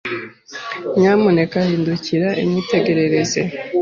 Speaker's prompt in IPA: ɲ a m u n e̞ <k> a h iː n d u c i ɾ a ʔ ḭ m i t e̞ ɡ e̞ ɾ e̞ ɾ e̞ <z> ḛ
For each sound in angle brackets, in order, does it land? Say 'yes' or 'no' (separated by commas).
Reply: yes, yes